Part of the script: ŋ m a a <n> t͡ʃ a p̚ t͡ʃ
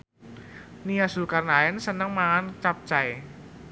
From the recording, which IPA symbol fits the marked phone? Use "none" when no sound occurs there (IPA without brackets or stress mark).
n